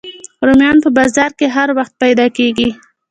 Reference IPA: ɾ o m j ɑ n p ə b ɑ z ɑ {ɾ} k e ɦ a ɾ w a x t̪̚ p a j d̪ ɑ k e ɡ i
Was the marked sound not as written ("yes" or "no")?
no